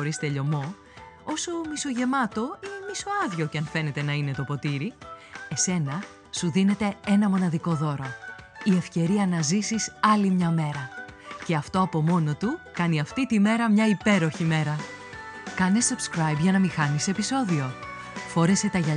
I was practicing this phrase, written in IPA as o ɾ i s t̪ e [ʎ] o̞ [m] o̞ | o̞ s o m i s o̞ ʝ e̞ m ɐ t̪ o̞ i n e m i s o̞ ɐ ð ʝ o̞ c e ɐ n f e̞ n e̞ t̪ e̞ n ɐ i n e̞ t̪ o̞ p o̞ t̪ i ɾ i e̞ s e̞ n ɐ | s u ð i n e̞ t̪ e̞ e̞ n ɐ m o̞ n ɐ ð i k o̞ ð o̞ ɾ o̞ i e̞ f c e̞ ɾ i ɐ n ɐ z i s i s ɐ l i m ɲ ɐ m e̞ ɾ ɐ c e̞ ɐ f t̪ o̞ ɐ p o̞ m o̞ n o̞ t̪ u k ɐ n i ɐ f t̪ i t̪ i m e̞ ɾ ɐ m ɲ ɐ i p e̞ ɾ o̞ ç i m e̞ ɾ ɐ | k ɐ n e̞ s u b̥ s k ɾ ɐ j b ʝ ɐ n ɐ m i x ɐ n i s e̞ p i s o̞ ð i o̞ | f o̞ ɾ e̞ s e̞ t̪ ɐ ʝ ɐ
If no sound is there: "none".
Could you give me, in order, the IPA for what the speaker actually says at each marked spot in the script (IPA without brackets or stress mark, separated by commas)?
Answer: ʎ, m